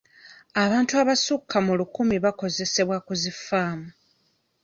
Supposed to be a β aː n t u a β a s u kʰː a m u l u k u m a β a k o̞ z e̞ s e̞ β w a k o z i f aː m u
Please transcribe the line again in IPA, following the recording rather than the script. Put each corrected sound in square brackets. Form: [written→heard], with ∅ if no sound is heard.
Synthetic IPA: a β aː n t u a β a s u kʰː a m u l u k u m [a→i] β a k o̞ z e̞ s e̞ β w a k [o→u] z i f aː m u